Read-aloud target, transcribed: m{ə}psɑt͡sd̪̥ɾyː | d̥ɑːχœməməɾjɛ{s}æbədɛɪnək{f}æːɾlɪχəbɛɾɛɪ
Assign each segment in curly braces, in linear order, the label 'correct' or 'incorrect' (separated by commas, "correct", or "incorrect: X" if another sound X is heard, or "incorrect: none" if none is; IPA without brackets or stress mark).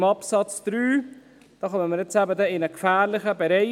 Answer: incorrect: ɑ, incorrect: t͡s, correct